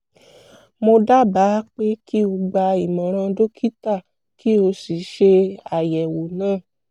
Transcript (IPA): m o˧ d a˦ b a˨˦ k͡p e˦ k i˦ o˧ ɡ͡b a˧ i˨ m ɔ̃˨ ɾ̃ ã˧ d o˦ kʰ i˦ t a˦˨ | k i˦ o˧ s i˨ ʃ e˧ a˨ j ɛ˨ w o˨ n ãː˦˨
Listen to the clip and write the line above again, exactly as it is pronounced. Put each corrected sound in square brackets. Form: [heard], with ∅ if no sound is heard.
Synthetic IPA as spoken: m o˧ d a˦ b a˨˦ k͡p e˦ k i˦ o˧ ɡ͡b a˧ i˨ m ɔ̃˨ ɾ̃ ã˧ d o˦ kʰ i˦ t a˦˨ | k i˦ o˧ s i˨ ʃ e˧ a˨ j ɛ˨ w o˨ n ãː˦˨

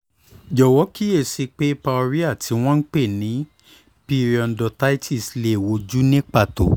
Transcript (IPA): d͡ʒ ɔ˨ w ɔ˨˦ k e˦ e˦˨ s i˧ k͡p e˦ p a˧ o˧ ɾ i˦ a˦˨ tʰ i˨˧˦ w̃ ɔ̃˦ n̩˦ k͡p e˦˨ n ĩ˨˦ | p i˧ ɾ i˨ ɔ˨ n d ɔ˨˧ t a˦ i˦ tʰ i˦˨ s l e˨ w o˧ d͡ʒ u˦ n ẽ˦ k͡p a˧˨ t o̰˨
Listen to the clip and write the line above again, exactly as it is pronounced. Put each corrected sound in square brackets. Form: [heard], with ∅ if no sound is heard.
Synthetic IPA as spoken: d͡ʒ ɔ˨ w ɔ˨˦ k [i˦] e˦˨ s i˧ k͡p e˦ p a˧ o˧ ɾ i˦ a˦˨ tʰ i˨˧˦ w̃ ɔ̃˦ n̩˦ k͡p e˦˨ n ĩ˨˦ | p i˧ ɾ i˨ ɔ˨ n d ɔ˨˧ t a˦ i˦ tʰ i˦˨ s l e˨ w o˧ d͡ʒ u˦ n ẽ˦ k͡p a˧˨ t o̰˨

